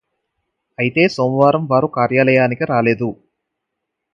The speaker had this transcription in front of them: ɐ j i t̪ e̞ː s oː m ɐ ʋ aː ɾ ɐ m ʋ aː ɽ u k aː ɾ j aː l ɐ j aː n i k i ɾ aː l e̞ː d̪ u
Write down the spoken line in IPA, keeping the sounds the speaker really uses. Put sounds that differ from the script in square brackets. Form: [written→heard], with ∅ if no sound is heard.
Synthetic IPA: ɐ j i t̪ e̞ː s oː m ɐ ʋ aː ɾ ɐ m ʋ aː [ɽ→ɾ] u k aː ɾ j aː l ɐ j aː n i k i ɾ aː l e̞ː d̪ u